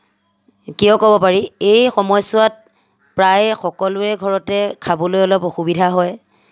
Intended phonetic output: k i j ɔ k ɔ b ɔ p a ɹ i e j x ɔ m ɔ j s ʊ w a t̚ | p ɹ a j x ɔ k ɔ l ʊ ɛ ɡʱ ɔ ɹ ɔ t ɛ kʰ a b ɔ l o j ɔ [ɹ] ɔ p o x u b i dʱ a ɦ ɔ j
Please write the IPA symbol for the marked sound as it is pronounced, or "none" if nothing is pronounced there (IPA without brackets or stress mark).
l